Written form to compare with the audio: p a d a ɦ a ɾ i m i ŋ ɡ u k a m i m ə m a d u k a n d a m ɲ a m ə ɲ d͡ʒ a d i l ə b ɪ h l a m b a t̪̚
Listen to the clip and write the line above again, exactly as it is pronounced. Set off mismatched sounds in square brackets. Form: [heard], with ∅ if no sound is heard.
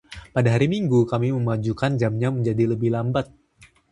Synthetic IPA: p a d a ɦ a ɾ i m i ŋ ɡ u k a m i m ə m a [d͡ʒ] u k a n [d͡ʒ] a m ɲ a m ə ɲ d͡ʒ a d i l ə b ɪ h l a m b a t̪̚